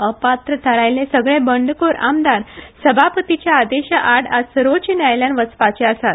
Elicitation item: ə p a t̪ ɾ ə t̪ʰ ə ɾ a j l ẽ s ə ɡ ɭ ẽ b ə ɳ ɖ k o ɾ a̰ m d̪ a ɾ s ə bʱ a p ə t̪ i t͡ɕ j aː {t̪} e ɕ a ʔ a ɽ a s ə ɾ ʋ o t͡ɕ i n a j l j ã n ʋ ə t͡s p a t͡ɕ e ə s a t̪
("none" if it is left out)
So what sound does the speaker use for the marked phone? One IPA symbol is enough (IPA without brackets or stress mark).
d̪